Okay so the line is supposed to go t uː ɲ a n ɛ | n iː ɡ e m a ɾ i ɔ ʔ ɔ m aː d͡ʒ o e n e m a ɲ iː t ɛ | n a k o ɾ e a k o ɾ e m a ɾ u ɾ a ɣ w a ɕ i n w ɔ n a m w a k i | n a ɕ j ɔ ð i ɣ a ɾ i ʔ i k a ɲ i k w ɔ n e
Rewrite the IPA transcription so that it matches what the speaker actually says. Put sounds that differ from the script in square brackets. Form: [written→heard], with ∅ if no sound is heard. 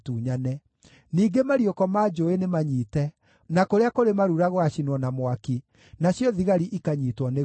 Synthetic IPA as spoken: t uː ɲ a n ɛ | n iː ɡ e m a ɾ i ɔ [ʔ→k] ɔ m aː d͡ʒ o e n e m a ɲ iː t ɛ | n a k o ɾ e a k o ɾ e m a ɾ u ɾ a ɣ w a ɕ i n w ɔ n a m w a k i | n a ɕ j ɔ ð i ɣ a ɾ i ʔ i k a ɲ i [k→t] w ɔ n e